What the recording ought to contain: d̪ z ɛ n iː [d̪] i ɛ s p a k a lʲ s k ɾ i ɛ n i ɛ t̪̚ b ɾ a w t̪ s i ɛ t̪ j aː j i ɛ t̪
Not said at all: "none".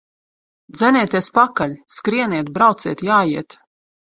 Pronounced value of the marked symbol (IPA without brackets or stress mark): t̪